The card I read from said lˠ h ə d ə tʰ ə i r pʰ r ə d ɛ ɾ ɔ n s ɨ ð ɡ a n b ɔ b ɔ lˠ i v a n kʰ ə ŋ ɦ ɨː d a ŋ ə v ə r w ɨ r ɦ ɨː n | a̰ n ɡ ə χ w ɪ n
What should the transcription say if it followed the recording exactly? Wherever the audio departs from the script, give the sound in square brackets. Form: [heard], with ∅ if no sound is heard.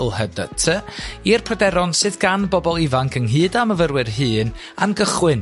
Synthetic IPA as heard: lˠ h ə d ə tʰ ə i r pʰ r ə d ɛ ɾ ɔ n s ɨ ð ɡ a n b ɔ b ɔ lˠ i v a [ŋ] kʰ ə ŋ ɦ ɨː d a [m] ə v ə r w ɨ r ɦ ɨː n | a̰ n ɡ ə χ w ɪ n